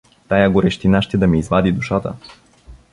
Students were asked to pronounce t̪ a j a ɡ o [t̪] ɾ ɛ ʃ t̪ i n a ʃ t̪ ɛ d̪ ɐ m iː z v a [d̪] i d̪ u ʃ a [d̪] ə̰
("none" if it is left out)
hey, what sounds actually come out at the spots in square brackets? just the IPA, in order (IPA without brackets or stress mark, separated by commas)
none, d̪, t̪